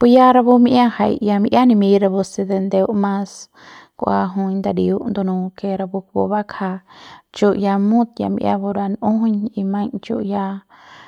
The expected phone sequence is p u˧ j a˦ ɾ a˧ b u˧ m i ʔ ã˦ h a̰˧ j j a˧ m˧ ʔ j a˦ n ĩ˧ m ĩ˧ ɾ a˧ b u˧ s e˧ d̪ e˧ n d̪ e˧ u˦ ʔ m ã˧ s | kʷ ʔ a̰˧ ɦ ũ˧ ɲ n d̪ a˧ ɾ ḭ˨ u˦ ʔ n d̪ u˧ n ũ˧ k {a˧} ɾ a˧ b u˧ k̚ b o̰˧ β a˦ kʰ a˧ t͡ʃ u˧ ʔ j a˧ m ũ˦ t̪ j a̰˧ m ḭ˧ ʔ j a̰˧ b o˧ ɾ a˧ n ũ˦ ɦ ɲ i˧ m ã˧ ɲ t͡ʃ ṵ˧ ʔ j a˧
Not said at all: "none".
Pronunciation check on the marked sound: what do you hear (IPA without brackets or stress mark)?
e˧